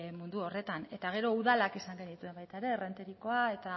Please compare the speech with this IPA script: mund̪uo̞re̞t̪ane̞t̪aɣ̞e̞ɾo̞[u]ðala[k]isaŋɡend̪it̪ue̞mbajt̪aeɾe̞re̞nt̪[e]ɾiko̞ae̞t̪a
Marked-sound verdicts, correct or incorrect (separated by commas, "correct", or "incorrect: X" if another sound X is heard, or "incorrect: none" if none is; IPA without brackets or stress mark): correct, correct, correct